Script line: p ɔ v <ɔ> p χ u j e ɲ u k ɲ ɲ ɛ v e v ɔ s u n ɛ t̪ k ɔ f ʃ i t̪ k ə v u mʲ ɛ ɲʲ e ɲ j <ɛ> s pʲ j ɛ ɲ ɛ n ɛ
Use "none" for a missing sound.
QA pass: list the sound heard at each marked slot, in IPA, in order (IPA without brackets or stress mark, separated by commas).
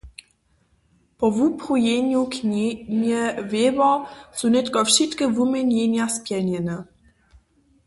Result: u, a